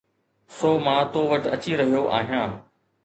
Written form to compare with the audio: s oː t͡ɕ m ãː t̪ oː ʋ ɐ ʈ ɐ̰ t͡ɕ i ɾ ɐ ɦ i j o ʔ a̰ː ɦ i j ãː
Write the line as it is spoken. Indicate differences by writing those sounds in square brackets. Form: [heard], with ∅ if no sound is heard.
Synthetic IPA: s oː [∅] m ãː t̪ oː ʋ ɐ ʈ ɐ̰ t͡ɕ i ɾ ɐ ɦ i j o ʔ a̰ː ɦ i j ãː